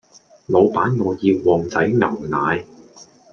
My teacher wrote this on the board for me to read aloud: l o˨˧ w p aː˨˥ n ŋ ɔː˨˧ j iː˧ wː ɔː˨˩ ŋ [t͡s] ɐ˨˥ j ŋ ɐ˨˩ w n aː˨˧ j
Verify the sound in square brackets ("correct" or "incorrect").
correct